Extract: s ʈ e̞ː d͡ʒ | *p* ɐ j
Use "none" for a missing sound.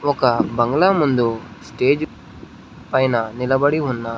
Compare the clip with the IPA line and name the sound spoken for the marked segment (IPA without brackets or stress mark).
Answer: p